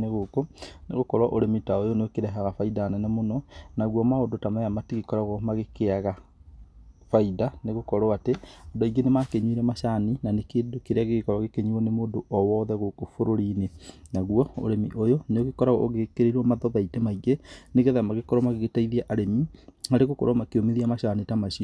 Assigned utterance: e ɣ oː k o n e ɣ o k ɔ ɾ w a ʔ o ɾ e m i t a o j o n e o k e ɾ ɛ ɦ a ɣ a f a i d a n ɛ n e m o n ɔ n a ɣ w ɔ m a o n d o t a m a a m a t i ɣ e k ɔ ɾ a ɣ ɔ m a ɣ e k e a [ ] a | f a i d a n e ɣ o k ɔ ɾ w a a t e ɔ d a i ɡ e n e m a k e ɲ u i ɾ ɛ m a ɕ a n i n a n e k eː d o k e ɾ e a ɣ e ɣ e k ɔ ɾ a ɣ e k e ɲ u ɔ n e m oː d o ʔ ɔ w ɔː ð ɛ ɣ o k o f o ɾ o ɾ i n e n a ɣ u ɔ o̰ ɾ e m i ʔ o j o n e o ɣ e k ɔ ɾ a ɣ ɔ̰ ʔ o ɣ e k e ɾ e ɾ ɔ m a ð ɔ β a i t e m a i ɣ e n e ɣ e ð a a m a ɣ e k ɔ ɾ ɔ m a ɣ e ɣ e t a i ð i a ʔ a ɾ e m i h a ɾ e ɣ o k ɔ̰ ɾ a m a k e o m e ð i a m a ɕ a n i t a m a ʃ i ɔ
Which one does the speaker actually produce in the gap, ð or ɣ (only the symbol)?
ɣ